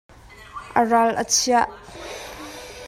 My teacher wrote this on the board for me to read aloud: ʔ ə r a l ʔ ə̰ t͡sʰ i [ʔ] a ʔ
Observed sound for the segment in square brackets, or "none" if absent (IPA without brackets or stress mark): none